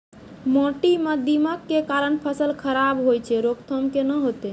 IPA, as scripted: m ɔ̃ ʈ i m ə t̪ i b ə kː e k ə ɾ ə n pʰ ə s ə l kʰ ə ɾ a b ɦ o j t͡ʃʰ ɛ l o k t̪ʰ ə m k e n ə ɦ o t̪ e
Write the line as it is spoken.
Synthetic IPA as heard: m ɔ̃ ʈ i m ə d̪ i m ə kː e k a ɾ ə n pʰ ə s ə l kʰ ə ɾ a b ɦ o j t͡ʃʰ ɛ ɾ o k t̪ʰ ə m k e n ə ɦ o t̪ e